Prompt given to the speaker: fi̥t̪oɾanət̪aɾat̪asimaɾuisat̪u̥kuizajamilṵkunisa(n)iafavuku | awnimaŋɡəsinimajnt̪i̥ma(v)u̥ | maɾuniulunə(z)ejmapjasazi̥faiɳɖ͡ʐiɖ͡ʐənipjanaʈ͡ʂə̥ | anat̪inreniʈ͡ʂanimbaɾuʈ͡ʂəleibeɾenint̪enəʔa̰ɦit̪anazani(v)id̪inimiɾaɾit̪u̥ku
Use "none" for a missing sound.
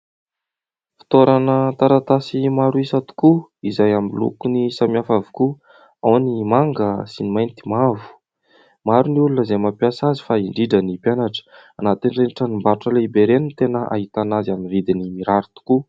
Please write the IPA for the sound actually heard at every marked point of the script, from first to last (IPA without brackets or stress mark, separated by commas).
m, v, z, v